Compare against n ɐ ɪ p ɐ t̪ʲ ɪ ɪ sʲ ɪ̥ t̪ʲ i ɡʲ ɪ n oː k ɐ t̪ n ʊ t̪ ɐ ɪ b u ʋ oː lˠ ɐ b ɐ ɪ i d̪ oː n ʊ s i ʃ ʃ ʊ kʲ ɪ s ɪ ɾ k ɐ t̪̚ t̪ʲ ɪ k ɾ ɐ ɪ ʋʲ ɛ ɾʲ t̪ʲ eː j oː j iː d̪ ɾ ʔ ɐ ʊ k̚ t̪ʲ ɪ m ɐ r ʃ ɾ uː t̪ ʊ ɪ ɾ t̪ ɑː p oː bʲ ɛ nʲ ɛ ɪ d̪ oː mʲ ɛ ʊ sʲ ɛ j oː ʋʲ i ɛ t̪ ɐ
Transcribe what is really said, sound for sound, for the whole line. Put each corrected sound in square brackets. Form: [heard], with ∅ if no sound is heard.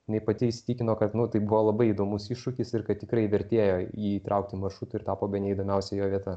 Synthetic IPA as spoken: n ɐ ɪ p ɐ t̪ʲ ɪ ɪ sʲ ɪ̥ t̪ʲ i [kʲ] ɪ n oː k ɐ t̪ n ʊ t̪ ɐ ɪ b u ʋ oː lˠ ɐ b ɐ ɪ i d̪ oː [m] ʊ s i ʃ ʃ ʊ kʲ ɪ s ɪ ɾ k ɐ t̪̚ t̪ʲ ɪ k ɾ ɐ ɪ ʋʲ ɛ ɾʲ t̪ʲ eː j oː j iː [t̪] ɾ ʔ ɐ ʊ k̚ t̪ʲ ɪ m ɐ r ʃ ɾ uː t̪ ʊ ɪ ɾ t̪ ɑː p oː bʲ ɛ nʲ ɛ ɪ d̪ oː mʲ ɛ ʊ sʲ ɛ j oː ʋʲ i ɛ t̪ ɐ